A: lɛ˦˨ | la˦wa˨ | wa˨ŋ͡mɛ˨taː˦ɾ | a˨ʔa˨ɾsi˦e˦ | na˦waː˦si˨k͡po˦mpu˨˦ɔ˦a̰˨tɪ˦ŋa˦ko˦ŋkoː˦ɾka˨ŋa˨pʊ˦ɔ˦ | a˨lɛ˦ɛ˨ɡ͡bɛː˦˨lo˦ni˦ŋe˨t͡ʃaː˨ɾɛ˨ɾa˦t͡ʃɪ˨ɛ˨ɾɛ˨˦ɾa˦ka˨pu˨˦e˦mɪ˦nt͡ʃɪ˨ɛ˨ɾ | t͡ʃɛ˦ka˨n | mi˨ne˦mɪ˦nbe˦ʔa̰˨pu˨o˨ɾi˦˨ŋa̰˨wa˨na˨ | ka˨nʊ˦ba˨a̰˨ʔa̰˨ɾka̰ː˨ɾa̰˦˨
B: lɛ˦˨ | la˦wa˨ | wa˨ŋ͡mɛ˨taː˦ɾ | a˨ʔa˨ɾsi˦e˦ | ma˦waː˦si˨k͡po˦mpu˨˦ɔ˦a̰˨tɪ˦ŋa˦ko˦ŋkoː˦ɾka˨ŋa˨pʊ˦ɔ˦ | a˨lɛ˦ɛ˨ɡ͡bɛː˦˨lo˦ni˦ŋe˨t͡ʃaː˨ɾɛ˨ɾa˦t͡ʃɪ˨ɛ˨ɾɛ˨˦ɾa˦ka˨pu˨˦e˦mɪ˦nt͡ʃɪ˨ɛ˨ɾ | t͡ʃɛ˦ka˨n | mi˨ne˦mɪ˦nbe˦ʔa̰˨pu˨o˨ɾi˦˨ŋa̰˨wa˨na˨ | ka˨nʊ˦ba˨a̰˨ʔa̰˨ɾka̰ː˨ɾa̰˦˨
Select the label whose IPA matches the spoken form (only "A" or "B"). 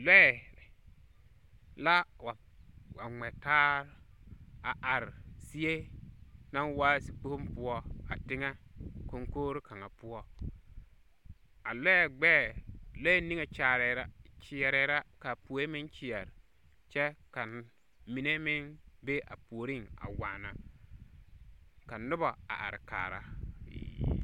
A